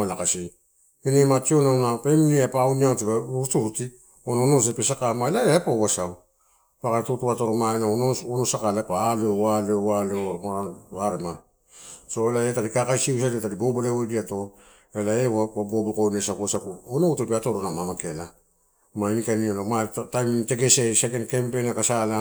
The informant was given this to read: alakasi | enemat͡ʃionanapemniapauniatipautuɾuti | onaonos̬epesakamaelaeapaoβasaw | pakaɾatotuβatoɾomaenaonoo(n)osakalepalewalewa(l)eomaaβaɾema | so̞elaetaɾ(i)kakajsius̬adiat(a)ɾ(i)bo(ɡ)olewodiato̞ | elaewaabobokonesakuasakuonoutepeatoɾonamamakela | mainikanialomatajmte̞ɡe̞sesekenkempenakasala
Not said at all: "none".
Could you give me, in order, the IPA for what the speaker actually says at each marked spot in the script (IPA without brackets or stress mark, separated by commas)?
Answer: n, l, i, a, i, b